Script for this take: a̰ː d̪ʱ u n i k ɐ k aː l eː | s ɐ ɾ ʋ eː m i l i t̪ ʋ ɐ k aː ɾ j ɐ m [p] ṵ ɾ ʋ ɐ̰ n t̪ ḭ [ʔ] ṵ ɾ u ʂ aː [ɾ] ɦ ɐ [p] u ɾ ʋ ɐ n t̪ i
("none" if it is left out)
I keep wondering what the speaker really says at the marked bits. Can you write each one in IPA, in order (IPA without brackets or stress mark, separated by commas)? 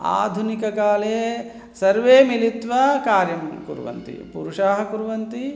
k, p, none, k